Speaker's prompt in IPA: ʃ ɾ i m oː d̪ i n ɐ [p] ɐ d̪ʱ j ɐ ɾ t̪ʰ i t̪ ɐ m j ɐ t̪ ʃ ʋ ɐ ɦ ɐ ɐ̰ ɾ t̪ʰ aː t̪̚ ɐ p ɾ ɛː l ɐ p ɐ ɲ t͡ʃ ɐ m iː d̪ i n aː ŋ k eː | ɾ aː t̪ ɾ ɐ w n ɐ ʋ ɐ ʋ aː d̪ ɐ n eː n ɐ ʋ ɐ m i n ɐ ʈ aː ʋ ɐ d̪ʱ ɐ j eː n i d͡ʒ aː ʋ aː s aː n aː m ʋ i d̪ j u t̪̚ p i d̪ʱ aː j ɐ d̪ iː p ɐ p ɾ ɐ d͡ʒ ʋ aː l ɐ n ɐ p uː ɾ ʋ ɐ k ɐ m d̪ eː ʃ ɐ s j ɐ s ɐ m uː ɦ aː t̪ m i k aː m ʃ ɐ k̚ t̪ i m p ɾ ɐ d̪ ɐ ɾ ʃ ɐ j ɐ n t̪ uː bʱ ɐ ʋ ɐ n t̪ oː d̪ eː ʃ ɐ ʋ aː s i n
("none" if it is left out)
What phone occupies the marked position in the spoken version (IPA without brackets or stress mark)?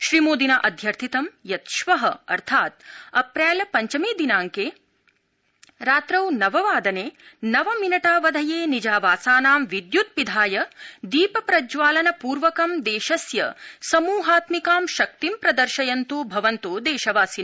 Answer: ʔ